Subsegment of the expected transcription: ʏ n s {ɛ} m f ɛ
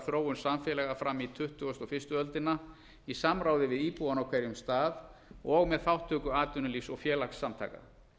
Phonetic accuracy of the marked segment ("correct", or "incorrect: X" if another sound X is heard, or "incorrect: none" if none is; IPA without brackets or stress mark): incorrect: a